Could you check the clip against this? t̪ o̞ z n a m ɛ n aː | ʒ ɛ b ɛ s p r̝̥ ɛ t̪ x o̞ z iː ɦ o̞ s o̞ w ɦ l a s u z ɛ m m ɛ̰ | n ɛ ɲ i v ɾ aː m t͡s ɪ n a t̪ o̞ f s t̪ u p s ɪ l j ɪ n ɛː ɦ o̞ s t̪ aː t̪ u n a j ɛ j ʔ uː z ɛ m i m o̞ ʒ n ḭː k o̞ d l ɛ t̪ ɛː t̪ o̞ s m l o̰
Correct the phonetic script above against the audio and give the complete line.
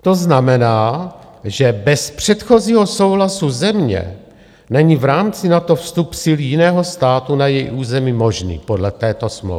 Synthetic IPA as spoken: t̪ o̞ z n a m ɛ n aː | ʒ ɛ b ɛ s p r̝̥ ɛ t̪ x o̞ z iː ɦ o̞ s o̞ w ɦ l a s u z ɛ m ɲ ɛ̰ | n ɛ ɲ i v ɾ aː m t͡s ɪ n a t̪ o̞ f s t̪ u p s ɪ l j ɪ n ɛː ɦ o̞ s t̪ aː t̪ u n a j ɛ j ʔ uː z ɛ m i m o̞ ʒ n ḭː p o̞ d l ɛ t̪ ɛː t̪ o̞ s m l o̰